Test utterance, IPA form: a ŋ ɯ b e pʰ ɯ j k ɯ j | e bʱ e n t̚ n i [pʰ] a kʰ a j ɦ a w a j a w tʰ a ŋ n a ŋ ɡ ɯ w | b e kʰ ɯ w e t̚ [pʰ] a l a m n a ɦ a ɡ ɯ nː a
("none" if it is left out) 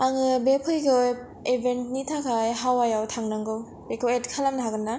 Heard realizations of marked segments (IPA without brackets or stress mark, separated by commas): tʰ, kʰ